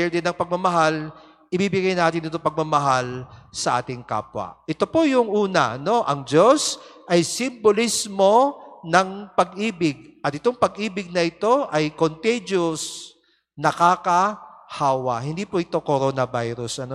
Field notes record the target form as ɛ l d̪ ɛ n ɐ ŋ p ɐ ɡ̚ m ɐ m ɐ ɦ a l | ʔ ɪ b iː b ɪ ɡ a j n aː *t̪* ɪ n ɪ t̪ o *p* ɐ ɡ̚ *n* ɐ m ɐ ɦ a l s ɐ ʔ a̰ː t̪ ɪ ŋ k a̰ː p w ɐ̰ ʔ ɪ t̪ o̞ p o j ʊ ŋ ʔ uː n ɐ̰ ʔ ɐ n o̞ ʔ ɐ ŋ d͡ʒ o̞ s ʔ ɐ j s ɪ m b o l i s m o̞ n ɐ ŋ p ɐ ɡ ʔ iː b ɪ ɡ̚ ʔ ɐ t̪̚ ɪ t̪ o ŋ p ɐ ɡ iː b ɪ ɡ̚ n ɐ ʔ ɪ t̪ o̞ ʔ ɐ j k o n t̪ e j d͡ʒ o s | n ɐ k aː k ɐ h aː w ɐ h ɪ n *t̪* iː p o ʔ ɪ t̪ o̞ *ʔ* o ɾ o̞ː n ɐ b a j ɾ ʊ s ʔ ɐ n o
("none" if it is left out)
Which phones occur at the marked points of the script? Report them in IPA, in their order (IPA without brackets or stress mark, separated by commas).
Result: t̪, p, m, d̪, k